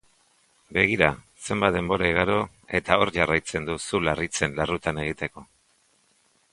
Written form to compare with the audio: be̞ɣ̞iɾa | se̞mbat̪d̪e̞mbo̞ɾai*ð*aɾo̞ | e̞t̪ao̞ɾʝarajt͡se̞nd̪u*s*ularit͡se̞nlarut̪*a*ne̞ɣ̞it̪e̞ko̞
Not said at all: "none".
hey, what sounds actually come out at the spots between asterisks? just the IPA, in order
ɣ, s, a

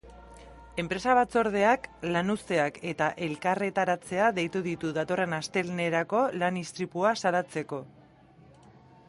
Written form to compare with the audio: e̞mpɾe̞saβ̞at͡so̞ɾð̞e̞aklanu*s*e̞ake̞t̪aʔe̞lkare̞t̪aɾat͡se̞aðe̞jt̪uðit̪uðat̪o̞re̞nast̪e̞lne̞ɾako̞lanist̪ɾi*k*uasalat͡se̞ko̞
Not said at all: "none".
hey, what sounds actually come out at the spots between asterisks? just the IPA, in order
s, p

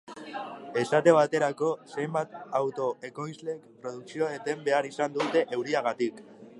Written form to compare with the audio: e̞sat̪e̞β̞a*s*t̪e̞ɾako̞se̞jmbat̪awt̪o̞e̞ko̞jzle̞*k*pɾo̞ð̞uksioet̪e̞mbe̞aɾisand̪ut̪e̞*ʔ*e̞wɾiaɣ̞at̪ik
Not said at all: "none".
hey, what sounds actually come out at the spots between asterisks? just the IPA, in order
none, k, ʔ

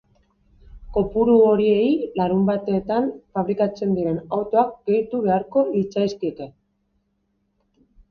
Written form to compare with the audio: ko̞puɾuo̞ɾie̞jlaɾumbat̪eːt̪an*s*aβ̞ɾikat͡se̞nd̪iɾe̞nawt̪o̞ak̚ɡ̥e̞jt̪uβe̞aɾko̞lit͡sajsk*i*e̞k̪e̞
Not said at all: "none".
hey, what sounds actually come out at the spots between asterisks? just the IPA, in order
f, i

